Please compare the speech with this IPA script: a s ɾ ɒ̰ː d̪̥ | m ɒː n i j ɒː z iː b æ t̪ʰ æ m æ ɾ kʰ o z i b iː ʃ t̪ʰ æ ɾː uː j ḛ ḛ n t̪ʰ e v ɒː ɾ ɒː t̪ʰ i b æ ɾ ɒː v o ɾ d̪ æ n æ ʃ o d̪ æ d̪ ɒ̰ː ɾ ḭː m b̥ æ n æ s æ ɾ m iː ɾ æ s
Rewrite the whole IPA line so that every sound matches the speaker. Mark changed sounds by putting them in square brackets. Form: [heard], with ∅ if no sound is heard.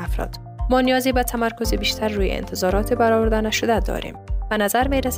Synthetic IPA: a [f] ɾ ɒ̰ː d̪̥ | m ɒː n i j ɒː z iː b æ t̪ʰ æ m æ ɾ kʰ o z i b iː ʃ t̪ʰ æ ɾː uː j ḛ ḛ n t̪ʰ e [z] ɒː ɾ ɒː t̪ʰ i b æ ɾ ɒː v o ɾ d̪ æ n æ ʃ o d̪ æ d̪ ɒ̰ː ɾ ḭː m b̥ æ n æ [z] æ ɾ m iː ɾ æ s